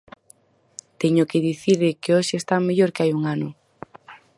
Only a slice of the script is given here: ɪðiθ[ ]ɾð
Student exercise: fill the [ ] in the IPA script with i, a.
i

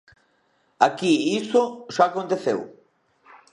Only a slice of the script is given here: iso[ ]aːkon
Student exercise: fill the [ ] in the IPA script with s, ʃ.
ʃ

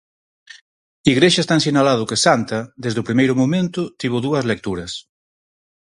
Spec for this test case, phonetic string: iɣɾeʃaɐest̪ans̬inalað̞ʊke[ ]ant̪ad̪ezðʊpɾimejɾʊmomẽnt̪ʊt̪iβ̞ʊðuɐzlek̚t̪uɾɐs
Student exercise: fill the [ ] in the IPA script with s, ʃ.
s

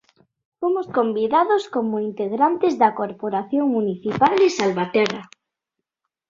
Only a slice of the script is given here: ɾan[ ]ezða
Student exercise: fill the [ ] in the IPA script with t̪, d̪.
t̪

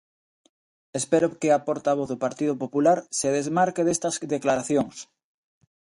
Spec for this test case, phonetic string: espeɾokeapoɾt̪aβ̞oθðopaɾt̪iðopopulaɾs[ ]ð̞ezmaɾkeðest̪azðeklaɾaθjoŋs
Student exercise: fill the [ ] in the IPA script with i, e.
e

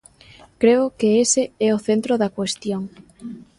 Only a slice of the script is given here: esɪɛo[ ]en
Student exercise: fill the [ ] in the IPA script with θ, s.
θ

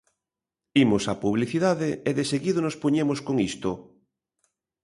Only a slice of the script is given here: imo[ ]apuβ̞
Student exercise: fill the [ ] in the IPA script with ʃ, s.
s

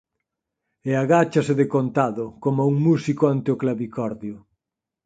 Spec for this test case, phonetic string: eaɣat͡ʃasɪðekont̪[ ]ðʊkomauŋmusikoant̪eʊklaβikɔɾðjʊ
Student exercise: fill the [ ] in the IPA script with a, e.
a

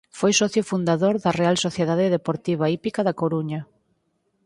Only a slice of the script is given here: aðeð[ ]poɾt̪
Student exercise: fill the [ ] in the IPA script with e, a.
e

